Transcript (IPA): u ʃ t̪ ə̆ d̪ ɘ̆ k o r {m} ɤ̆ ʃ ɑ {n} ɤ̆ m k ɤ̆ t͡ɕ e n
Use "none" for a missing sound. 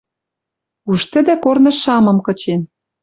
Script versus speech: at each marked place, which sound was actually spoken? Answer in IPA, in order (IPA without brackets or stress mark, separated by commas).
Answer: n, m